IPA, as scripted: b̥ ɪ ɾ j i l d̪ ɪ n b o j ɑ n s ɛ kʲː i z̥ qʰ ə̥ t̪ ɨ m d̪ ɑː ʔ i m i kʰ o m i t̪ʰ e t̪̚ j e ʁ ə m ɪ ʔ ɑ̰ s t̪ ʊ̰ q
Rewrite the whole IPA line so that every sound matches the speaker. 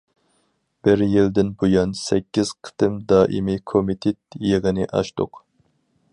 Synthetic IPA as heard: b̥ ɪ ɾ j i l d̪ ɪ n b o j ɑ n s ɛ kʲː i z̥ qʰ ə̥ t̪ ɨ m d̪ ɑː ʔ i m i kʰ o m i t̪ʰ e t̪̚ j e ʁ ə n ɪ ʔ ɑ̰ ʃ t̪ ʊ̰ q